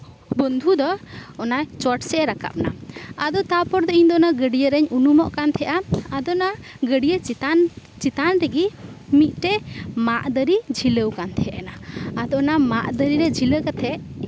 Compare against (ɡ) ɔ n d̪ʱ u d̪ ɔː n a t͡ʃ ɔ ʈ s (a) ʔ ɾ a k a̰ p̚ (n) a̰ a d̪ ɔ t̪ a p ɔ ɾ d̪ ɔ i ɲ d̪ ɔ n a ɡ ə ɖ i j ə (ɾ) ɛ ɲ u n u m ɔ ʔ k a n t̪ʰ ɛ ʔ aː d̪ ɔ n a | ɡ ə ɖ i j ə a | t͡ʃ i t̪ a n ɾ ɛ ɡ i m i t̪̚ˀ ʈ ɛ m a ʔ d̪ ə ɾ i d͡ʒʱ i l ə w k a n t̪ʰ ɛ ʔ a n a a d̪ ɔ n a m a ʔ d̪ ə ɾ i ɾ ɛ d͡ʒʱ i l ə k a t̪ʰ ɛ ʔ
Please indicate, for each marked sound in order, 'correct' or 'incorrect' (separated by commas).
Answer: incorrect, incorrect, correct, correct